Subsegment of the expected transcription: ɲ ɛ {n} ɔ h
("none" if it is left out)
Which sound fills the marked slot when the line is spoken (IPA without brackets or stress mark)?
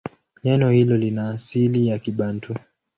n